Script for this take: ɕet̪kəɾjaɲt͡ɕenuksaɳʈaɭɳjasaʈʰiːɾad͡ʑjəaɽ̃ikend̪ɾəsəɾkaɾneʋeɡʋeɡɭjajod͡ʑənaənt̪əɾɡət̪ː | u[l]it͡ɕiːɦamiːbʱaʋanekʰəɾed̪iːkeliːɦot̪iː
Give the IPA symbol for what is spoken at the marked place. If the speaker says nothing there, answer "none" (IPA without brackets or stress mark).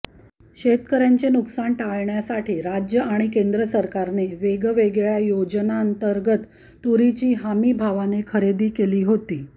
ɾ